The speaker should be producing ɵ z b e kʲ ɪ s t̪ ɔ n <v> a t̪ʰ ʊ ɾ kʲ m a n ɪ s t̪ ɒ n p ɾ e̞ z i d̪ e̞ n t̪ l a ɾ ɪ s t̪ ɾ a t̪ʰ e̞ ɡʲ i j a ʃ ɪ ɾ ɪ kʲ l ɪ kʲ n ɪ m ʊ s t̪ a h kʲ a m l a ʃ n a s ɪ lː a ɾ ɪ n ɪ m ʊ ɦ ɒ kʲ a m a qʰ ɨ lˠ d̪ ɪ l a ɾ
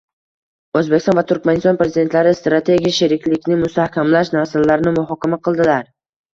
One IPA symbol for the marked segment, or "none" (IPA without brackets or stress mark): v